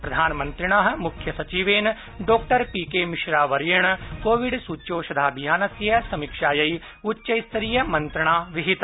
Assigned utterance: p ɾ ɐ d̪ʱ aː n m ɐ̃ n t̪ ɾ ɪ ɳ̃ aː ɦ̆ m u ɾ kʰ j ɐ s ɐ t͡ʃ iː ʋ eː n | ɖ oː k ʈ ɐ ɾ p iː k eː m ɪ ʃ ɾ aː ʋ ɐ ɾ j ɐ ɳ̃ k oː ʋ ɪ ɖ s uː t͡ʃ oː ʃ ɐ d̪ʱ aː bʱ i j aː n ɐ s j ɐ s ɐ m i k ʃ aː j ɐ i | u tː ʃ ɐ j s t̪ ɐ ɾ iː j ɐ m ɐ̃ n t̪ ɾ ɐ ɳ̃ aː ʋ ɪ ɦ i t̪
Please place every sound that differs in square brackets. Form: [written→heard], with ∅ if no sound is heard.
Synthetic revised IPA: p ɾ ɐ d̪ʱ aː n m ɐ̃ n t̪ ɾ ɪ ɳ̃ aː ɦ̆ m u [ɾ→∅] kʰ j ɐ s ɐ t͡ʃ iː ʋ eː n | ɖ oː k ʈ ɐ ɾ p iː k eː m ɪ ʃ ɾ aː ʋ ɐ ɾ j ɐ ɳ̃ k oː ʋ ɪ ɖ s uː t͡ʃ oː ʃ ɐ d̪ʱ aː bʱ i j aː n ɐ s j ɐ s ɐ m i k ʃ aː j ɐ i | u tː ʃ ɐ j s t̪ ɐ ɾ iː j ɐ m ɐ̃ n t̪ ɾ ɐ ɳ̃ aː ʋ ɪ ɦ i t̪